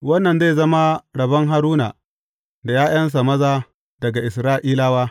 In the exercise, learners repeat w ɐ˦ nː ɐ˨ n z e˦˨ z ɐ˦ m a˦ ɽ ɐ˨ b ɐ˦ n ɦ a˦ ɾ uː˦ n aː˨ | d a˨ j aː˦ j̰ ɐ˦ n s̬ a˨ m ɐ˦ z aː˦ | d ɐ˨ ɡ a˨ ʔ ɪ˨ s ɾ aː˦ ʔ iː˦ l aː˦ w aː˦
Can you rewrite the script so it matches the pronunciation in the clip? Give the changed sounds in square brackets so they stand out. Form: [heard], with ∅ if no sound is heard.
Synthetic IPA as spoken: w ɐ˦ nː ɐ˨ n z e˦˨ z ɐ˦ m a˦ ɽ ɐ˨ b ɐ˦ [ŋ] ɦ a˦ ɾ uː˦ n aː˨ | d a˨ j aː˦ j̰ ɐ˦ n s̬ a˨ m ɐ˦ z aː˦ | d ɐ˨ ɡ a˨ ʔ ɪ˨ s ɾ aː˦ ʔ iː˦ l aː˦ w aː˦